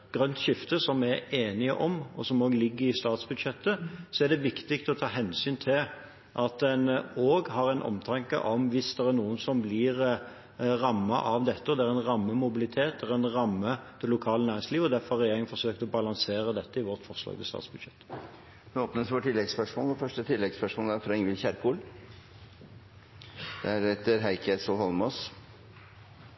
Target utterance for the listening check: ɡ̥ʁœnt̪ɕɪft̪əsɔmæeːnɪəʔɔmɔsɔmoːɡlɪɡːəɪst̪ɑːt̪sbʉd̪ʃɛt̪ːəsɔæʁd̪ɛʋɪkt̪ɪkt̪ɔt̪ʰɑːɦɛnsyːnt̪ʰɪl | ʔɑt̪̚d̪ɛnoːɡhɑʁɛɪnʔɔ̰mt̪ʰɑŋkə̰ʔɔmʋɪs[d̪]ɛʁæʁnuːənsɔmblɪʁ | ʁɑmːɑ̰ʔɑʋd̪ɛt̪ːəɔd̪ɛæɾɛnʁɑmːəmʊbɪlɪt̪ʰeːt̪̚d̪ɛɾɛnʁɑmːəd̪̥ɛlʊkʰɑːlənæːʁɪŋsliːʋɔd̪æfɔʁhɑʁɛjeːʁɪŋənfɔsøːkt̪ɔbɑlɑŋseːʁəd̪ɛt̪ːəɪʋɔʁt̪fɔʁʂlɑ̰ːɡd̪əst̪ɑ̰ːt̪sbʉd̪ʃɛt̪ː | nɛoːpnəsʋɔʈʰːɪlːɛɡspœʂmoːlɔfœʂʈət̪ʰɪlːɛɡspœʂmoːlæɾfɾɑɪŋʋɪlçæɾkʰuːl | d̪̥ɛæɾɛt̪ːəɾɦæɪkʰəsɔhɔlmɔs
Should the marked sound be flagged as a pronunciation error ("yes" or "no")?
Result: no